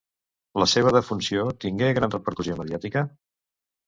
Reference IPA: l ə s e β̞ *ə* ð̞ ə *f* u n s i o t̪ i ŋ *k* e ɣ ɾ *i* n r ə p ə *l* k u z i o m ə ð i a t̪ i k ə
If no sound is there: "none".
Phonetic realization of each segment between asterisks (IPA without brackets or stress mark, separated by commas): ə, f, ɡ, a, ɾ